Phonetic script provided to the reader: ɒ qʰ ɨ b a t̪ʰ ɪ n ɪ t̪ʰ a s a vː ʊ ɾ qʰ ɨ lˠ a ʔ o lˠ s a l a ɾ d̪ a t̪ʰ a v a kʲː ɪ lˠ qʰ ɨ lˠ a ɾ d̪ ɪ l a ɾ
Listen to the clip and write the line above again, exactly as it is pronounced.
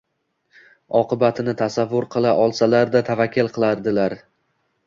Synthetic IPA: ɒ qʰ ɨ b a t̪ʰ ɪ n ɪ t̪ʰ a s a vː ʊ ɾ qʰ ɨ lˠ a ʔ ɒ lˠ s a l a ɾ d̪ a t̪ʰ a v a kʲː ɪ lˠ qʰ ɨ lˠ a ɾ d̪ ɪ l a ɾ